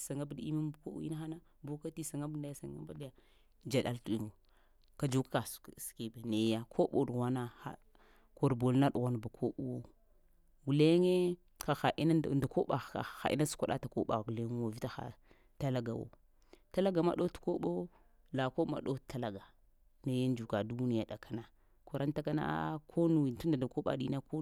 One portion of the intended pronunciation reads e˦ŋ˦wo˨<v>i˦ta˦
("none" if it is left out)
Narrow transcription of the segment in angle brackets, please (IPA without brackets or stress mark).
v